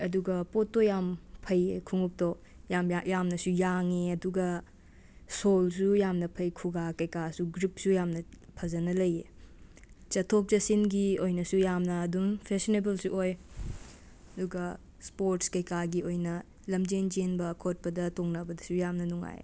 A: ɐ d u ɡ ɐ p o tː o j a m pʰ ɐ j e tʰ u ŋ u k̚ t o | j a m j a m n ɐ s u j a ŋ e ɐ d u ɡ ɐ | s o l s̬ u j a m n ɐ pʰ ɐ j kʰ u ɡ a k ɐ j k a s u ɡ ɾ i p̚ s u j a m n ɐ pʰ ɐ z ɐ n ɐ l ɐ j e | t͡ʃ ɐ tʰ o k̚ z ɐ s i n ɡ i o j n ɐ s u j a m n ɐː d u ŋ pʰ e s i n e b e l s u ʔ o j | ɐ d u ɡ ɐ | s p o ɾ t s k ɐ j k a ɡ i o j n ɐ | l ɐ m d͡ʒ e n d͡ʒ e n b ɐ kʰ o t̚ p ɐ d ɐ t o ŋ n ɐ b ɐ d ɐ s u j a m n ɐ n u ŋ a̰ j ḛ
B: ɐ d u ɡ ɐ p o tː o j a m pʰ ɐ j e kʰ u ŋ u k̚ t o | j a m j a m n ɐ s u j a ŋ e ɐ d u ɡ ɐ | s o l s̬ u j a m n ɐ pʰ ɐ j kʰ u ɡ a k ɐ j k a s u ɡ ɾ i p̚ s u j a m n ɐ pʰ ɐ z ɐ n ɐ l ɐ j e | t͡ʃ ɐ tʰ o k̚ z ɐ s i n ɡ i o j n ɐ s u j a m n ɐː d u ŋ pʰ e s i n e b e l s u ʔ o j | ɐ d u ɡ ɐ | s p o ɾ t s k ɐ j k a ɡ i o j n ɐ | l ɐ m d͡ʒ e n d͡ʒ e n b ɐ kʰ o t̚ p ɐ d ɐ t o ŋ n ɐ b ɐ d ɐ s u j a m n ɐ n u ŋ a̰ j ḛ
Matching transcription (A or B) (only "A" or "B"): B